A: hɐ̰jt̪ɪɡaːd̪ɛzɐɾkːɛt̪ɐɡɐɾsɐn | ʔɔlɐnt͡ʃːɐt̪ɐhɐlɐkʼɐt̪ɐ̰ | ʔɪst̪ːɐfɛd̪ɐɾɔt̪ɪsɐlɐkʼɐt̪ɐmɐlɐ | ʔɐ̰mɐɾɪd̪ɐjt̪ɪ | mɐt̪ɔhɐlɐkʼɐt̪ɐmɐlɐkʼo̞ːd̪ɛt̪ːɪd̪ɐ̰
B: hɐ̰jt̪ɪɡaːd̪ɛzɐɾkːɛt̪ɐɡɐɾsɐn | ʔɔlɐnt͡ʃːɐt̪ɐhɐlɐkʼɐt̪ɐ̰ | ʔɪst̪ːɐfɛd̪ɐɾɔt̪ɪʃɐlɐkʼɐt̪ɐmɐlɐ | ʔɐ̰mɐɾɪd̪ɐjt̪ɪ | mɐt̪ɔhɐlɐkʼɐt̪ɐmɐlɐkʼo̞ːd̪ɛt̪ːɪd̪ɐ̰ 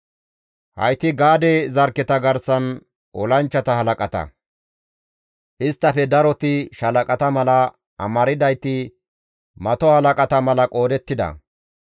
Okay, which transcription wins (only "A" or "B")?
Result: B